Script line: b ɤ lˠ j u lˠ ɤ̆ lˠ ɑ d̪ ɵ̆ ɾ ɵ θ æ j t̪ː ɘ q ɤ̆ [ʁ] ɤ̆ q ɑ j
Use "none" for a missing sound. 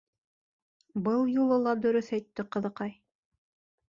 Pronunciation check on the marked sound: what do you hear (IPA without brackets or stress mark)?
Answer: ð